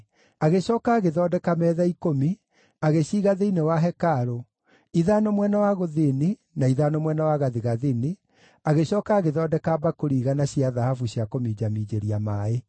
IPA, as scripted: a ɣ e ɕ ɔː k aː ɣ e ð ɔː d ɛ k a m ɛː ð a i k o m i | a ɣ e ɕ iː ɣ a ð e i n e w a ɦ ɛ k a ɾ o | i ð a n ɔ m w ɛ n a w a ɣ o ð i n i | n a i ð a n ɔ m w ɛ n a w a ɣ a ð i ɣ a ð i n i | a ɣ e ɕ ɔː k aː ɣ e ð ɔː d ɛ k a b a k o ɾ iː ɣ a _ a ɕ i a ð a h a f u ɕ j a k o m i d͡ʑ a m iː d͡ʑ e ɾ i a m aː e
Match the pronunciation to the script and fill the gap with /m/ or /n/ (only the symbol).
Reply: n